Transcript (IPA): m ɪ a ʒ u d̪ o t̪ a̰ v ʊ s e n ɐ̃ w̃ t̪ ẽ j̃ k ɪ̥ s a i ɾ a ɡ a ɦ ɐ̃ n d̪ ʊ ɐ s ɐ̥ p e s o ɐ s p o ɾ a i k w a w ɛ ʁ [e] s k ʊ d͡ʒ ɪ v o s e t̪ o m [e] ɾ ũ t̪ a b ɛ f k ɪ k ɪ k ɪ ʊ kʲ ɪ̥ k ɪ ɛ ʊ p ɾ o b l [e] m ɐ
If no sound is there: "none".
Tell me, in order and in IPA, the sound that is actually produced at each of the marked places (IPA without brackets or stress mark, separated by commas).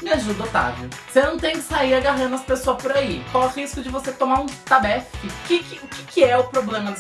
i, a, ẽ